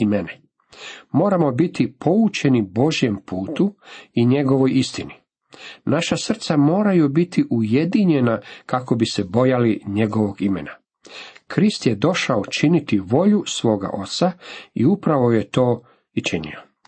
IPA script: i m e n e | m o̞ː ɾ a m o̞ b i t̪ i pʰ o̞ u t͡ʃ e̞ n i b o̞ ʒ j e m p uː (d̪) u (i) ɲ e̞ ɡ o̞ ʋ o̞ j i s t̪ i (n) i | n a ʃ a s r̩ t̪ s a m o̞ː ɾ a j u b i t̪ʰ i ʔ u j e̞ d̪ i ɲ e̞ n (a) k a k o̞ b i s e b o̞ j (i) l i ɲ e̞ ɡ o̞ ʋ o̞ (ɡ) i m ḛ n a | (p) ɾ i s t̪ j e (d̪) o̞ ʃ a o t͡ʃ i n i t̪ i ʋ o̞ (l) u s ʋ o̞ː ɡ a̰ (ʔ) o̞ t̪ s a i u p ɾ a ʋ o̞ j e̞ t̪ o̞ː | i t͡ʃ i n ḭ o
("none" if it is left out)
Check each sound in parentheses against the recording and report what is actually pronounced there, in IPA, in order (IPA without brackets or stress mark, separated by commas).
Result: t̪, i, n, a, a, ɡ, k, d̪, ʎ, ʔ